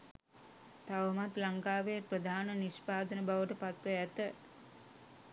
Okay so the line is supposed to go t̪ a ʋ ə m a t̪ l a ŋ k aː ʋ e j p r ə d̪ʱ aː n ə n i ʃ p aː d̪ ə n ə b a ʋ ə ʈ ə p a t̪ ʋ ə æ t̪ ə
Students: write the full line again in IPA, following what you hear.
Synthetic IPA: t̪ a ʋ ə m a t̪ l a ŋ k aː ʋ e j p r ə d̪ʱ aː n ə n i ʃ p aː d̪ ə n ə b a ʋ ə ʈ ə p a t̪ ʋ ə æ t̪ ə